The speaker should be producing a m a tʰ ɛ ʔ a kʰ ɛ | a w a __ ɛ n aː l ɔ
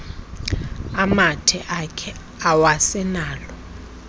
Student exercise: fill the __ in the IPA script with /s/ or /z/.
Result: s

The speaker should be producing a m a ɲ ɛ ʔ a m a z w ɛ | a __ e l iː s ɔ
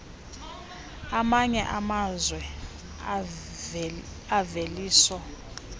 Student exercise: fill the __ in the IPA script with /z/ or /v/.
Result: v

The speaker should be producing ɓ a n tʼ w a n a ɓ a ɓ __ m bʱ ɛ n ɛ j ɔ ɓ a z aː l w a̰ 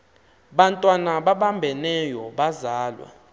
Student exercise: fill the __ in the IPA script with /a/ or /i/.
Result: a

